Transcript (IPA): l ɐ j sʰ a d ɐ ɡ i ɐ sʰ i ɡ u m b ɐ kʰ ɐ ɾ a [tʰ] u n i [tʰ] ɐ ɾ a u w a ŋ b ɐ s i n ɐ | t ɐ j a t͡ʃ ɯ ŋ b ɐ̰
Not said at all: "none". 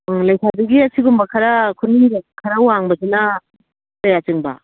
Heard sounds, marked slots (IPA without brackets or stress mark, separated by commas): kʰ, kʰ